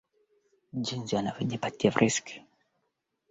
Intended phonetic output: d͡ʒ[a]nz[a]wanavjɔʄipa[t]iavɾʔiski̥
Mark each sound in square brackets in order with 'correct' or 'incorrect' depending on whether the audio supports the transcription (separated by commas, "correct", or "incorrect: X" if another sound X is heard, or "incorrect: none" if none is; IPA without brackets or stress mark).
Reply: incorrect: i, incorrect: i, correct